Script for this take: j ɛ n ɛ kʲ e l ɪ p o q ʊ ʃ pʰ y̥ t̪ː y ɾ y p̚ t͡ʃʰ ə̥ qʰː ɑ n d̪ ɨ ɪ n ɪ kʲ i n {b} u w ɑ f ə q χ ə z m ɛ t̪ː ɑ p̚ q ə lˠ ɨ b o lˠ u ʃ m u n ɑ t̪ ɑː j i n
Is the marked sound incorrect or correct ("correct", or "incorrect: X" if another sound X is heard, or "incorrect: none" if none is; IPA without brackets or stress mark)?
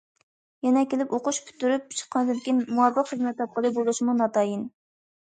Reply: incorrect: m